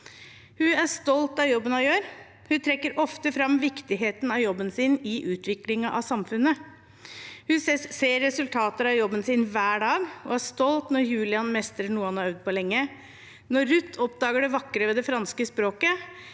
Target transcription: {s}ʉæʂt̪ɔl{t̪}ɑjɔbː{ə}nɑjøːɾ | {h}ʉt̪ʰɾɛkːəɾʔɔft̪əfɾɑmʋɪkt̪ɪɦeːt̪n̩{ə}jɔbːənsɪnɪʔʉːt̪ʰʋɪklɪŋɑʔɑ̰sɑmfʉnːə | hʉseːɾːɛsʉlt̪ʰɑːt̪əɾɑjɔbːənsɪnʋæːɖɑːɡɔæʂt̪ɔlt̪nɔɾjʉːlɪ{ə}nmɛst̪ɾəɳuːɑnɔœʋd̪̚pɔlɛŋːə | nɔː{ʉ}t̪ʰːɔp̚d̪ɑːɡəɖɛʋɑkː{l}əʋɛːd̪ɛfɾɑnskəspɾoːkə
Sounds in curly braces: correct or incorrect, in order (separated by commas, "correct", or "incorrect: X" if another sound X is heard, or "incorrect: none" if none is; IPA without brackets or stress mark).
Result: incorrect: h, correct, correct, correct, incorrect: ɑ, incorrect: ɑ, correct, incorrect: ɾ